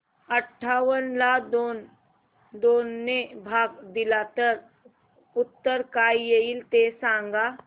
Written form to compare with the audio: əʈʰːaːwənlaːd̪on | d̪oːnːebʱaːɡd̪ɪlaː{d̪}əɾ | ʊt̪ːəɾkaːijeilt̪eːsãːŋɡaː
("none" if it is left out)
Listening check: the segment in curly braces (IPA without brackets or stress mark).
t̪